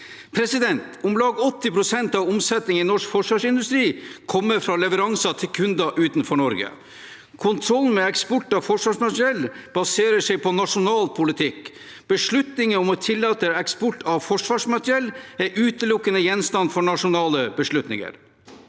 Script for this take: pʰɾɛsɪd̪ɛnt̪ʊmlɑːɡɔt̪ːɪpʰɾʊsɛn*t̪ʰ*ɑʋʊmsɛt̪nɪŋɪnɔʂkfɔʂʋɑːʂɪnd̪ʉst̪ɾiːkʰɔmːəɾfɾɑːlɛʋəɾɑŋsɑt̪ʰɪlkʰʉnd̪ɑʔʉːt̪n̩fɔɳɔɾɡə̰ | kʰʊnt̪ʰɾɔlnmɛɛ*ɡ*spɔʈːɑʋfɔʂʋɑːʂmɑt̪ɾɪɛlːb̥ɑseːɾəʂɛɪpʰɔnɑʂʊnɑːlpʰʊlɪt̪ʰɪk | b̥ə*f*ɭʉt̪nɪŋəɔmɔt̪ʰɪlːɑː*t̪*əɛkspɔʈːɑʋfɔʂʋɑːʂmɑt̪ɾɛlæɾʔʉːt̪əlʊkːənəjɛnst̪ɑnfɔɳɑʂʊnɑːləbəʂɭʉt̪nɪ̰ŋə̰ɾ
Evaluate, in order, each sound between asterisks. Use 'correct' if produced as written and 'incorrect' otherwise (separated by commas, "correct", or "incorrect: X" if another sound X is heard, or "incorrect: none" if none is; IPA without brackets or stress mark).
incorrect: t̪, incorrect: k, incorrect: ʂ, correct